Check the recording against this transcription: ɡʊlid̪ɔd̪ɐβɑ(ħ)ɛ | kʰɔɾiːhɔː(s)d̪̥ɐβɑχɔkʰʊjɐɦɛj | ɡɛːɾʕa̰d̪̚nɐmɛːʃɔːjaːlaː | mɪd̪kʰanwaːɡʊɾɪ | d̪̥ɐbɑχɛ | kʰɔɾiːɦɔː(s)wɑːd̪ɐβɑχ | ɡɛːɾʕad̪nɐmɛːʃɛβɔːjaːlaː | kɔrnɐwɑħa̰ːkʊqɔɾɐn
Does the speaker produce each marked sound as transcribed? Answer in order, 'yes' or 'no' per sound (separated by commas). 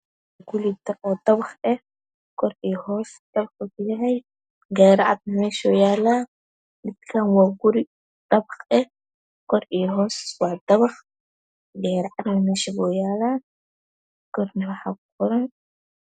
no, yes, yes